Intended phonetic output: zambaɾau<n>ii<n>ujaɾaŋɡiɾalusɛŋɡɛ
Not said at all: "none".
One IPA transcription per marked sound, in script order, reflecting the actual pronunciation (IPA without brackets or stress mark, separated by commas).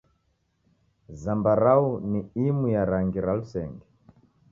n, m